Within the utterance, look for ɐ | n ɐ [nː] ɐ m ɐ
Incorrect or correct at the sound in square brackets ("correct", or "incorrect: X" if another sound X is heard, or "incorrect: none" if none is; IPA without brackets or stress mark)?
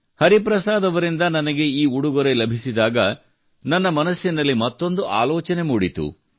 correct